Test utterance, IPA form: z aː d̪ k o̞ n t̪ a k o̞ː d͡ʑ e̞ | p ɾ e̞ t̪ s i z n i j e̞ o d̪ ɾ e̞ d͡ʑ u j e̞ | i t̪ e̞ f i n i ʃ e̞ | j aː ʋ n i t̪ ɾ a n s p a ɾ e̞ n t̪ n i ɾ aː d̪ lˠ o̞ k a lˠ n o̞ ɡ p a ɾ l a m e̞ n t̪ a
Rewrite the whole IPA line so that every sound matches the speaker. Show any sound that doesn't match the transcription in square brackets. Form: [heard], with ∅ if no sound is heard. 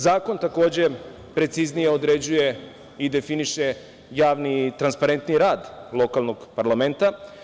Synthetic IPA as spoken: z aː [∅] k o̞ n t̪ a k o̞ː d͡ʑ e̞ | p ɾ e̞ t̪ s i z n i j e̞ o d̪ ɾ e̞ d͡ʑ u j e̞ | i [d̪] e̞ f i n i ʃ e̞ | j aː ʋ n i t̪ ɾ a n s p a ɾ e̞ n t̪ n i ɾ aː d̪ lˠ o̞ k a lˠ n o̞ ɡ p a ɾ l a m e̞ n t̪ a